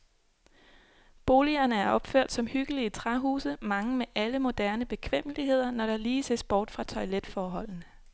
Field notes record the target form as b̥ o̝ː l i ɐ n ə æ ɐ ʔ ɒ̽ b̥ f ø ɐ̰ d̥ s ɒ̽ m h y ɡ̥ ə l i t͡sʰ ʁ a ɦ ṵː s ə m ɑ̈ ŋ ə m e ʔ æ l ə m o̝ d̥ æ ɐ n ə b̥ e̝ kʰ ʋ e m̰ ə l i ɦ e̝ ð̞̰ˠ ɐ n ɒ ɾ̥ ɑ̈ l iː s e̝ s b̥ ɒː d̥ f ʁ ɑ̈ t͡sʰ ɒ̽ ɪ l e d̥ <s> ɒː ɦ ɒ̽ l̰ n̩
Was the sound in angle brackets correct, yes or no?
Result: no